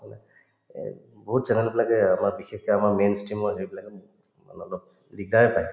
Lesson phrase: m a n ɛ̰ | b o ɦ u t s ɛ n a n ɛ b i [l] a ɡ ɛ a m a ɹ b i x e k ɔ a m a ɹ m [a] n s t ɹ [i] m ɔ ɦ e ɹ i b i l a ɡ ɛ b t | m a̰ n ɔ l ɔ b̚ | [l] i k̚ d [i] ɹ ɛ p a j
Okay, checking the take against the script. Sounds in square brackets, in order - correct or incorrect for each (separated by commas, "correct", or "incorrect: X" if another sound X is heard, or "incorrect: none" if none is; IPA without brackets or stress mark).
correct, incorrect: e, correct, correct, incorrect: a